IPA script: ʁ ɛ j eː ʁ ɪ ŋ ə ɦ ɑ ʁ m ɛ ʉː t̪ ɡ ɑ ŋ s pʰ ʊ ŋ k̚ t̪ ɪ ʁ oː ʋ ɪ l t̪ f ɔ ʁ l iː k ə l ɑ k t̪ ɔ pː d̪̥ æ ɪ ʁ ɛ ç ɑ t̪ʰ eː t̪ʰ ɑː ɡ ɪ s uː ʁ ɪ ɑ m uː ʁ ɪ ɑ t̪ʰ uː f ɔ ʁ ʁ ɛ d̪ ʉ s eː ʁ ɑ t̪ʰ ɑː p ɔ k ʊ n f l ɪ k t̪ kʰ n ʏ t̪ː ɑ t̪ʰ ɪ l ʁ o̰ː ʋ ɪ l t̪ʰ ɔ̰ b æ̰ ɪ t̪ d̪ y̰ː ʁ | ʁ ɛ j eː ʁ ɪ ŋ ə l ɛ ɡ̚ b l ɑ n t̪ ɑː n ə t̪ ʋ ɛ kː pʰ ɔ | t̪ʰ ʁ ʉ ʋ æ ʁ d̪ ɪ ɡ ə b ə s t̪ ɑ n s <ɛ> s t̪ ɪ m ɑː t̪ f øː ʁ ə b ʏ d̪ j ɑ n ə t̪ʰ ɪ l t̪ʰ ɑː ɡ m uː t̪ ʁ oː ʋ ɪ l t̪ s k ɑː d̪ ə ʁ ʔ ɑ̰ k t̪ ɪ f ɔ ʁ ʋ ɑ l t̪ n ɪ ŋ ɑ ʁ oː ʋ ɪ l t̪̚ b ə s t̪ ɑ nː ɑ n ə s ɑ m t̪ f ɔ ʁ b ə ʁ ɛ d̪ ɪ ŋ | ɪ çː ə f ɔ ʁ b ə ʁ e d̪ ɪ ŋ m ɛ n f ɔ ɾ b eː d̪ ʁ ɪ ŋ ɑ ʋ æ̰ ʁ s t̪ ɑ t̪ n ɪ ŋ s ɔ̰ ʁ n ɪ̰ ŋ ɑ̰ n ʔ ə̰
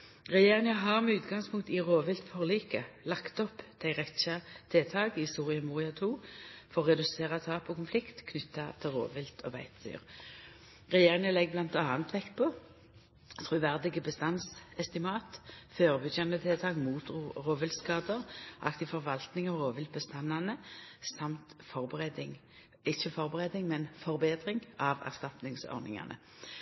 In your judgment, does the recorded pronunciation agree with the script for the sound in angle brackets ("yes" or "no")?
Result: yes